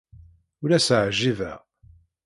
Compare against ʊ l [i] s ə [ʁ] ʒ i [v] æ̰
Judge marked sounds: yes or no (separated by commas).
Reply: no, no, yes